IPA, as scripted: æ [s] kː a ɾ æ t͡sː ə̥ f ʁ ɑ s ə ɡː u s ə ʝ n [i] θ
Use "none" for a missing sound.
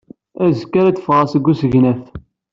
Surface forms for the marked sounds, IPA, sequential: z, æ

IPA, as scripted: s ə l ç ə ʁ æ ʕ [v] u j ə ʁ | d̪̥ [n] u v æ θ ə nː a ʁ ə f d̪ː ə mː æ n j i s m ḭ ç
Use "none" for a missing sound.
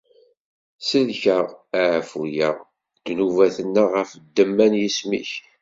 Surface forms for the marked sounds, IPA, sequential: f, n

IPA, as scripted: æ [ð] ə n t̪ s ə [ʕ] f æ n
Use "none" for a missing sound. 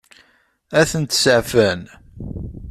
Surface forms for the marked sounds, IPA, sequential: θ, ʕ

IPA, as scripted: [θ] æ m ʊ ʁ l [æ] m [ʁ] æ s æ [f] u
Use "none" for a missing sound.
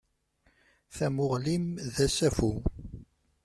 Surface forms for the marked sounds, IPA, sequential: θ, i, ð, f

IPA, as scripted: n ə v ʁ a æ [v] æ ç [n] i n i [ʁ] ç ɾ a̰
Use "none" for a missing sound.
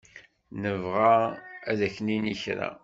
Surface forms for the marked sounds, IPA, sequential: ð, n, none

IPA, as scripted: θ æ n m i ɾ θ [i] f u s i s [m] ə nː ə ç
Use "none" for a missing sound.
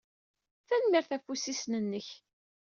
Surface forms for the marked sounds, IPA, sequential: æ, n

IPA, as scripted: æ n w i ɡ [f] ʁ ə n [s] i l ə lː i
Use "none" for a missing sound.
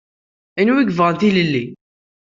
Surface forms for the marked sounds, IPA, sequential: v, θ

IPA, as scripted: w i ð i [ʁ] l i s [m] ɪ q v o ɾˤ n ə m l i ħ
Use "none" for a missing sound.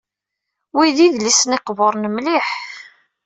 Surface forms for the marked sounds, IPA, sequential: ð, n

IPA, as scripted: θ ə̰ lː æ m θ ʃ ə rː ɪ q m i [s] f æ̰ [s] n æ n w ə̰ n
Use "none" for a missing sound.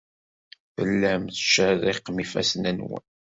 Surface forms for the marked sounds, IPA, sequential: none, s

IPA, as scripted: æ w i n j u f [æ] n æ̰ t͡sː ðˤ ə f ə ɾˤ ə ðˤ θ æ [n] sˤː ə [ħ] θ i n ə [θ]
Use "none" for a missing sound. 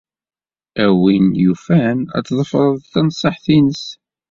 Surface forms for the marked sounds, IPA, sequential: æ, n, ħ, s

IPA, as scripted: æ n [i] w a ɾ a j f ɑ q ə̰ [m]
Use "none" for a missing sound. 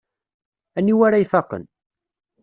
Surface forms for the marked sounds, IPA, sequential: i, n

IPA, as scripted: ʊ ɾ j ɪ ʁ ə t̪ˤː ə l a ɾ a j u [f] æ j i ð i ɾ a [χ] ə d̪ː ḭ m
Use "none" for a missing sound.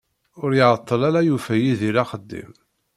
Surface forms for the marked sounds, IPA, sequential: f, χ

